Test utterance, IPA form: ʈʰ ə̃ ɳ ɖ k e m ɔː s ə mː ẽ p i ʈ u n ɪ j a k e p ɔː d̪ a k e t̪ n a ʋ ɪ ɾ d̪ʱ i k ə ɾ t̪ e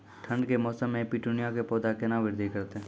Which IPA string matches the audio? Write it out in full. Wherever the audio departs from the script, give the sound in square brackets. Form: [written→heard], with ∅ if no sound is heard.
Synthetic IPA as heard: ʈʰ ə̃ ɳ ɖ k e m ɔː s ə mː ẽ p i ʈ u n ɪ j a k e p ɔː d̪ a k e [t̪→∅] n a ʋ ɪ ɾ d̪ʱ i k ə ɾ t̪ e